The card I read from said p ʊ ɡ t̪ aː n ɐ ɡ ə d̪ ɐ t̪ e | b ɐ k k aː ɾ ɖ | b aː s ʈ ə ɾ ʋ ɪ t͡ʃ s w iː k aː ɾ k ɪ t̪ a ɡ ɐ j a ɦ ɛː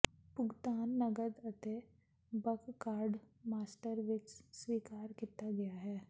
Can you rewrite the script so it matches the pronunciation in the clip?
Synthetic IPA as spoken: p ʊ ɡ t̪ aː nː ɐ ɡ ə d̪ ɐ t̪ e | b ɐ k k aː ɾ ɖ | m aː s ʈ ə ɾ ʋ ɪ t͡ʃ s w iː k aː ɾ k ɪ t̪ a ɡ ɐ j a ɦ ɛː